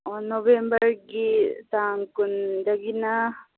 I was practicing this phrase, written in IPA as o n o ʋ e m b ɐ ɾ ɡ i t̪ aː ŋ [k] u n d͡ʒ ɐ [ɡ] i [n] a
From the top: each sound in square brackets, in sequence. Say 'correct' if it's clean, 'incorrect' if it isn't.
correct, correct, correct

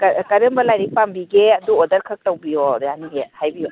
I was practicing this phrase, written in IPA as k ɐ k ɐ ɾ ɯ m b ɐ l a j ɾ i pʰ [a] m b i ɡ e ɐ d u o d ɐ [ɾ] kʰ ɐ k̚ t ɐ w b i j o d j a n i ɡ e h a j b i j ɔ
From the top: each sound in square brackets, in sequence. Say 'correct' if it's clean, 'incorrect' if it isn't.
correct, correct

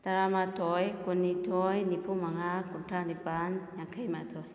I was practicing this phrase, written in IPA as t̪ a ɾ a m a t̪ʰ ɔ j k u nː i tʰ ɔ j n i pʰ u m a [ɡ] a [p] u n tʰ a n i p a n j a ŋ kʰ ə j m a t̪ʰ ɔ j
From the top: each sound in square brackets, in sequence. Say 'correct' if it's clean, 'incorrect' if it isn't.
incorrect, incorrect

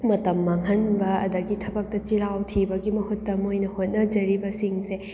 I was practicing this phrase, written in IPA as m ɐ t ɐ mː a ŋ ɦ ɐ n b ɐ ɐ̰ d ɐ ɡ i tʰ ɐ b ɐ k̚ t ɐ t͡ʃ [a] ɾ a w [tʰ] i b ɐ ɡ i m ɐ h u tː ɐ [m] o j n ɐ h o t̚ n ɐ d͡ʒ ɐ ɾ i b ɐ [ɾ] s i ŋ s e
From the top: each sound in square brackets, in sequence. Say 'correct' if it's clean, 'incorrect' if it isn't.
incorrect, correct, correct, incorrect

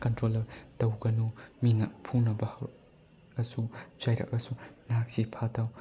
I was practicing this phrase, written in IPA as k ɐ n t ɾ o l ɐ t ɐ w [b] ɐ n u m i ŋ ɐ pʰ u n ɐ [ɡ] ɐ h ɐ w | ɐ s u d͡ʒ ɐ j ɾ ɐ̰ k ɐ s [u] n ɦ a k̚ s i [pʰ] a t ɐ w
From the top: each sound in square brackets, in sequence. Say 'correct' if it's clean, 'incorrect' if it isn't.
incorrect, incorrect, correct, correct

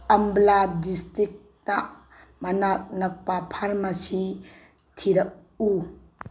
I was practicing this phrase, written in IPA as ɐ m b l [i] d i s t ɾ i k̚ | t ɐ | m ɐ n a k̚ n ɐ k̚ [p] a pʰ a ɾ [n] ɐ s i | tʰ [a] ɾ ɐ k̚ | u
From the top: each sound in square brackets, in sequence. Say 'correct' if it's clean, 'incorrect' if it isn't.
incorrect, correct, incorrect, incorrect

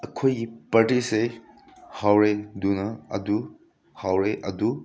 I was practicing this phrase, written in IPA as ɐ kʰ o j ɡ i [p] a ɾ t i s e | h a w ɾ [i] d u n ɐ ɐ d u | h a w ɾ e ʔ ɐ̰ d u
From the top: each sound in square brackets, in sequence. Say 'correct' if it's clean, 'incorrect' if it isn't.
correct, incorrect

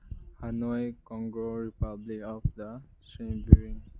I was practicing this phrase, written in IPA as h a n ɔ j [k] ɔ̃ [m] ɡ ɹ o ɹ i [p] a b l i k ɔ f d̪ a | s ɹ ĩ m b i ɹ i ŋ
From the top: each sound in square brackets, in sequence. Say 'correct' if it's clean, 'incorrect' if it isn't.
correct, incorrect, correct

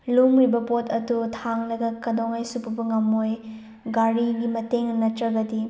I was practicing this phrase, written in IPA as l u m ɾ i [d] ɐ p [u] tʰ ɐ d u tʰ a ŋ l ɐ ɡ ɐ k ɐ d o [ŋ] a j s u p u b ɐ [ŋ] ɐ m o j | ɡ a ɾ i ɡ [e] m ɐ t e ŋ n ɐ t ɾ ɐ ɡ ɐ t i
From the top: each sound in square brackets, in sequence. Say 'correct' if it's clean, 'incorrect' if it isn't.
incorrect, incorrect, correct, correct, incorrect

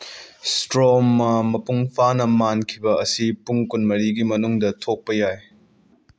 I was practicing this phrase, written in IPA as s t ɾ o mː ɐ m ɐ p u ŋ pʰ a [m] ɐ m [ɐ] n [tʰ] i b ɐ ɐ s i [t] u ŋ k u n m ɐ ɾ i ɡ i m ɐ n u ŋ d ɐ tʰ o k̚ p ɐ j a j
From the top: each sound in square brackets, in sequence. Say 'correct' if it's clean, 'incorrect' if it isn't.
incorrect, incorrect, incorrect, incorrect

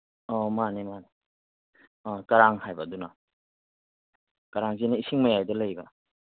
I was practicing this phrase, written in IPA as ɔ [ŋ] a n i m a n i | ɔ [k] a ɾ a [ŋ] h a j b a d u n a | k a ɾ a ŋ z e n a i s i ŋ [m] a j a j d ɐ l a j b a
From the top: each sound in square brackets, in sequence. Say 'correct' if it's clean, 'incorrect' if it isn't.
incorrect, correct, correct, correct

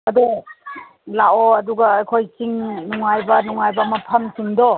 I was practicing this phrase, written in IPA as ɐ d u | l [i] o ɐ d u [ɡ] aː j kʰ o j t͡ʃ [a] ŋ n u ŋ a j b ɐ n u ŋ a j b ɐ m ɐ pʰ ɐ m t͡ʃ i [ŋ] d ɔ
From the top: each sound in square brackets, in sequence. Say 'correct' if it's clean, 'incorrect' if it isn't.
incorrect, correct, incorrect, correct

